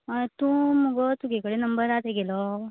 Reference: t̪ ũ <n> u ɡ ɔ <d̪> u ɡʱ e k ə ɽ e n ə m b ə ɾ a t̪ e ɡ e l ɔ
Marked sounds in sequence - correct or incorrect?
incorrect, incorrect

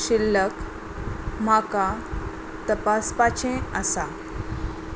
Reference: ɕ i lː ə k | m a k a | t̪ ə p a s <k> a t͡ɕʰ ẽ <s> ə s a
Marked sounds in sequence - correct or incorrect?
incorrect, incorrect

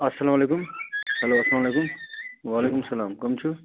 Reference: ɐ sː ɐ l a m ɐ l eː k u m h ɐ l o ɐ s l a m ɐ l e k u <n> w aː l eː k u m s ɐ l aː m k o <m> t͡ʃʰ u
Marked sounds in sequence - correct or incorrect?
incorrect, correct

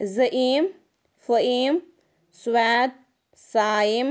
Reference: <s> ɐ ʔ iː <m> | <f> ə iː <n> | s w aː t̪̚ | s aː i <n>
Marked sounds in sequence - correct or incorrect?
incorrect, correct, correct, incorrect, incorrect

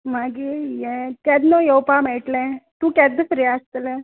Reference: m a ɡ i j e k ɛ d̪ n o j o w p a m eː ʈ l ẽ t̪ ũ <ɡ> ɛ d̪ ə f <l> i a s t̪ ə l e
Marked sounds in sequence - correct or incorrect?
incorrect, incorrect

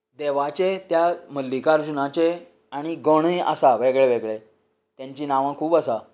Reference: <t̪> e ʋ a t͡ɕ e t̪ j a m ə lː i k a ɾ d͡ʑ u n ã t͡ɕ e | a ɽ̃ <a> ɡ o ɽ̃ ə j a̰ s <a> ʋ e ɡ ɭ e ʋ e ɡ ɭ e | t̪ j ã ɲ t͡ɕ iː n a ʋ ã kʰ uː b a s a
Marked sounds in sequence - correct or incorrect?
incorrect, incorrect, correct

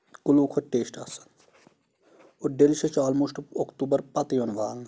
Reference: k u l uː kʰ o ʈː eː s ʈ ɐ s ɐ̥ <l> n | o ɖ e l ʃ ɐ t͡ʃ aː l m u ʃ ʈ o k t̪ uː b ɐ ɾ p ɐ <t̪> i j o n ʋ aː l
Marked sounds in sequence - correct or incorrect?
incorrect, correct

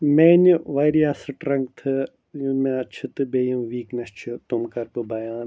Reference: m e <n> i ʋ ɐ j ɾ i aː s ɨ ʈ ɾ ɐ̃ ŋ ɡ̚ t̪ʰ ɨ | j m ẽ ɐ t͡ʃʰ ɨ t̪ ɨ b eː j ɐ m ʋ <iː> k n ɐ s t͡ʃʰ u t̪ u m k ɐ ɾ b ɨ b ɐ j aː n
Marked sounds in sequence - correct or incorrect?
correct, correct

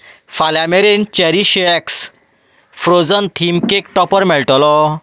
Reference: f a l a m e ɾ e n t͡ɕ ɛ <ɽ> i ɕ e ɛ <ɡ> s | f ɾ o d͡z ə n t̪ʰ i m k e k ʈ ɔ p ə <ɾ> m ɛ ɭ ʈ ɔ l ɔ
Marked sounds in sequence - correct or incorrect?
incorrect, incorrect, correct

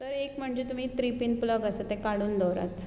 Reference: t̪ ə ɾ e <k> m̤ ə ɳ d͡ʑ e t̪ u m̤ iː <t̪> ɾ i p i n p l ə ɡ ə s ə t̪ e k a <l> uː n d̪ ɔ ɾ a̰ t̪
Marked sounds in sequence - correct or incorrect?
correct, correct, incorrect

